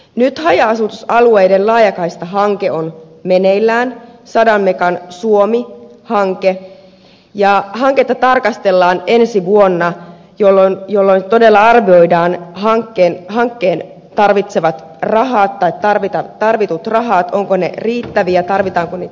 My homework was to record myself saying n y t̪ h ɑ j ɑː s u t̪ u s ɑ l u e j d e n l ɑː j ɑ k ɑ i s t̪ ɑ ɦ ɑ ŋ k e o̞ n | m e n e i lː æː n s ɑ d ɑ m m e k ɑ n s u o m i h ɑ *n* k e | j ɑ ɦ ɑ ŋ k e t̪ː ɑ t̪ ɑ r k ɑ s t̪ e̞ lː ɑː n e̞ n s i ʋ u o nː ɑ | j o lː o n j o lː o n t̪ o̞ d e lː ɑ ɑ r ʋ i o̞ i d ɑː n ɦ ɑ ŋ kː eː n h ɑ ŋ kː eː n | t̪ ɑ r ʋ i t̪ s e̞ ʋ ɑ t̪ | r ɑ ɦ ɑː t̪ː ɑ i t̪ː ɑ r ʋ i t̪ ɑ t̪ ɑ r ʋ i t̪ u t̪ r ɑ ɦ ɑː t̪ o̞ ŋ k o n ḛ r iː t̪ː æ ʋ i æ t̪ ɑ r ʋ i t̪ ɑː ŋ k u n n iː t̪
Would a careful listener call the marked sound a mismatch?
yes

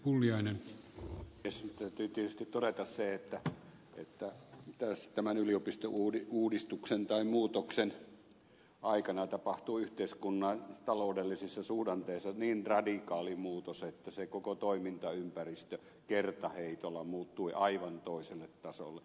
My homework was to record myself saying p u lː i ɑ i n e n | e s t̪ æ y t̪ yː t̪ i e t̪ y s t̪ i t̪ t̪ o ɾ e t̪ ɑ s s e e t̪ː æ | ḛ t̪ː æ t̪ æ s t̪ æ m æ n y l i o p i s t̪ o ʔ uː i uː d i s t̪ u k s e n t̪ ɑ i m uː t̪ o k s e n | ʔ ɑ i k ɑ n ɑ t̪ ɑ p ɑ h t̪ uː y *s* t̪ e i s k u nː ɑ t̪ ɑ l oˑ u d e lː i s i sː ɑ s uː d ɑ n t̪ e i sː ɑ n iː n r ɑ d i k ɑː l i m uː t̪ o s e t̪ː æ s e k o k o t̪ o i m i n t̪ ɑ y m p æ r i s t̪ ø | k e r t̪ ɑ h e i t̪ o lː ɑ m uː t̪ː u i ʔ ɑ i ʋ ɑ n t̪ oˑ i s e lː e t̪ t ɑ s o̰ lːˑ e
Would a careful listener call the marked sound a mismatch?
yes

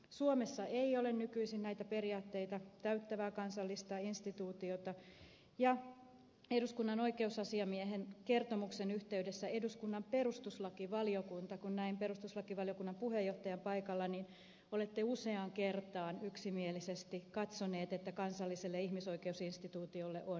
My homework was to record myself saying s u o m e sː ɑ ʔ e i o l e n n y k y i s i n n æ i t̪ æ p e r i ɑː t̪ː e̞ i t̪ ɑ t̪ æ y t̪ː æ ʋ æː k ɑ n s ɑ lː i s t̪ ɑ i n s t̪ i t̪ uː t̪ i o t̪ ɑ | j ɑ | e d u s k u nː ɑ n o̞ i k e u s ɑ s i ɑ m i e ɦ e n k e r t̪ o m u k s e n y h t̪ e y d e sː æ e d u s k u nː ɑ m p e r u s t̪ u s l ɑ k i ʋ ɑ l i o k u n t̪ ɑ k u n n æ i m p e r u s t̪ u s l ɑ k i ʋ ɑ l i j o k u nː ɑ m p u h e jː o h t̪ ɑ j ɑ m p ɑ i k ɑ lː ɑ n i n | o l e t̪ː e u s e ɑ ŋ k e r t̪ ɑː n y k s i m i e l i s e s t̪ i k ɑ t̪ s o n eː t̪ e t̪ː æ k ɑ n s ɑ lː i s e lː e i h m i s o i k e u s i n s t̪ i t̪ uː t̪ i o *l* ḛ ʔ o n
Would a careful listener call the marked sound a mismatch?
yes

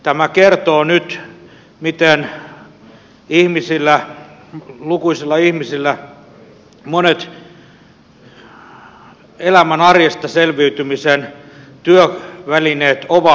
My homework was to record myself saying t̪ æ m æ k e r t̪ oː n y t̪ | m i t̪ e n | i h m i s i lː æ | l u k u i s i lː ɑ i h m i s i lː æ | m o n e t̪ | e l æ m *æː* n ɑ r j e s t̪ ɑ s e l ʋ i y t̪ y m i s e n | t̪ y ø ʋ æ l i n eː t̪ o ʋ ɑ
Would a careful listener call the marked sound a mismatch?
yes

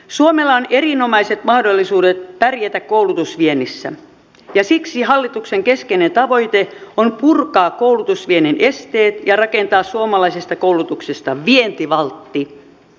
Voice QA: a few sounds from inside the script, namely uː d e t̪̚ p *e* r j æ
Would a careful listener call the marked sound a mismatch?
yes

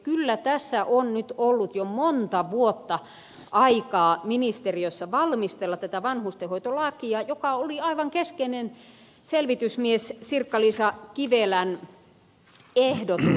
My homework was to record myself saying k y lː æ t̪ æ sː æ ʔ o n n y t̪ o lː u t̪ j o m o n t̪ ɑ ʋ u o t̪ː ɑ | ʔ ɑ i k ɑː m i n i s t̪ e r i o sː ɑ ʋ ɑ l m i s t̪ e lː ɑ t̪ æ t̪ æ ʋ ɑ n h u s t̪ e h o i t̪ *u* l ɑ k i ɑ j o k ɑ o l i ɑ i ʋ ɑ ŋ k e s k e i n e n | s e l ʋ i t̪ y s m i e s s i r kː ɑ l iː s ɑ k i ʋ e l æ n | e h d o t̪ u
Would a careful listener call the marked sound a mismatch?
yes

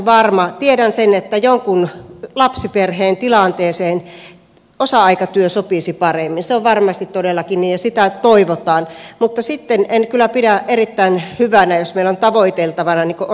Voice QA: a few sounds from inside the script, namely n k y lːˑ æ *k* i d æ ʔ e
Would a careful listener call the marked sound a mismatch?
yes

